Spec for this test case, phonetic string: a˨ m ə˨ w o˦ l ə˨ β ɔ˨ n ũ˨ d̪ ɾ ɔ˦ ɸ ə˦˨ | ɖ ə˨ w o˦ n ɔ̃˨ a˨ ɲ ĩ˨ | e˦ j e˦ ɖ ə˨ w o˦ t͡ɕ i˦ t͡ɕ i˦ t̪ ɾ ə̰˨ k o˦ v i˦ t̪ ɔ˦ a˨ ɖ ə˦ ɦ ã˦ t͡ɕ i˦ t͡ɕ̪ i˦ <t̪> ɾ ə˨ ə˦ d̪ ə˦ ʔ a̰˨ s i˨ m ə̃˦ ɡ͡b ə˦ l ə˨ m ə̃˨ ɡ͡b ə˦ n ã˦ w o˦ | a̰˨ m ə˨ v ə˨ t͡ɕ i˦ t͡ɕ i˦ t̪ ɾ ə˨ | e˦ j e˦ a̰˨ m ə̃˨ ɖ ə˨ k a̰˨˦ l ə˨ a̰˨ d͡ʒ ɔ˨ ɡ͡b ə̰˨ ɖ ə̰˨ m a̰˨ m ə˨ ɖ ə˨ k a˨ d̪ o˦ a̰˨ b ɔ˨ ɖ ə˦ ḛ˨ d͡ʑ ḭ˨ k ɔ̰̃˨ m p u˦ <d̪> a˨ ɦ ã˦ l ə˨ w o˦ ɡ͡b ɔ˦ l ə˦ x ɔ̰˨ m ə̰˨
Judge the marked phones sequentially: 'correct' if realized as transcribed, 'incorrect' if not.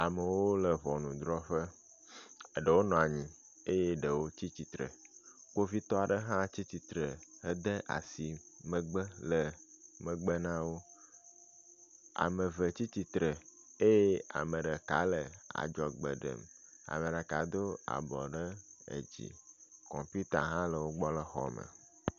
correct, incorrect

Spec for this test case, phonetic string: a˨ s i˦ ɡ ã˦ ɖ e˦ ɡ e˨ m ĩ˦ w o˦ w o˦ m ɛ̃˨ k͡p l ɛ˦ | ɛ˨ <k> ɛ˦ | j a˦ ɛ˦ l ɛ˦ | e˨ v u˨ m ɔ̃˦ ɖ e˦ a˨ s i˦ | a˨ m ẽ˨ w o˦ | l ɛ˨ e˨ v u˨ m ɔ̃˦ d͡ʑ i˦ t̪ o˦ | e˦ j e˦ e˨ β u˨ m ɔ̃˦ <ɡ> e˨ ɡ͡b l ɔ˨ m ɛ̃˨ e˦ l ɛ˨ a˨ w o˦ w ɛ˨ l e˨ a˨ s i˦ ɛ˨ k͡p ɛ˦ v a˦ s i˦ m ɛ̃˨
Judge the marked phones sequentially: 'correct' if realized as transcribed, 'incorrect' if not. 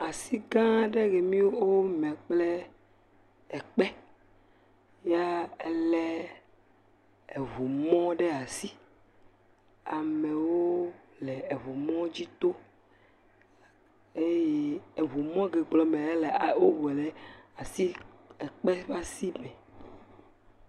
incorrect, correct

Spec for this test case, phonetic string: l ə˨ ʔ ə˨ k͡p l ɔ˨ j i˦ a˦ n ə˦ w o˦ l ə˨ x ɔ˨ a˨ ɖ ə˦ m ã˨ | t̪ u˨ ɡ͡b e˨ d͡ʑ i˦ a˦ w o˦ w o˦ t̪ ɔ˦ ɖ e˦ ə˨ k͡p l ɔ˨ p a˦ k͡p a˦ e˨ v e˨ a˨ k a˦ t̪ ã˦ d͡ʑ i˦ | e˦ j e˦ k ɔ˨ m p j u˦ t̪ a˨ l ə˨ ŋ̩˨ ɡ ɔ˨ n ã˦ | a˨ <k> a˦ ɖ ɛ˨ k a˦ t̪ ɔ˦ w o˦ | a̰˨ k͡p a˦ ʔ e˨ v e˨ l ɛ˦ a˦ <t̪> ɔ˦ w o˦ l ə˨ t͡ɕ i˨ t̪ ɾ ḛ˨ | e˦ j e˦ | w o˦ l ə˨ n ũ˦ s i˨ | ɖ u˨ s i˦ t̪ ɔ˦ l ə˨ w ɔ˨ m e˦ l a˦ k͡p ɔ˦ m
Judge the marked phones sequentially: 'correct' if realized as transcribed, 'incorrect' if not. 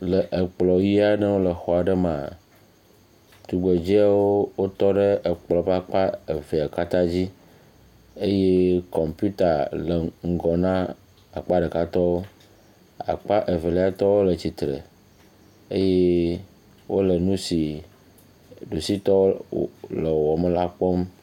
incorrect, correct

